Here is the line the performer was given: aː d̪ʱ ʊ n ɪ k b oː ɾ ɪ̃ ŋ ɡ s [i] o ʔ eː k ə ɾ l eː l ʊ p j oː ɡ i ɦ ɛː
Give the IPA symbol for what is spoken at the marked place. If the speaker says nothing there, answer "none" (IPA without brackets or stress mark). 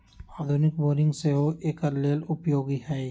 e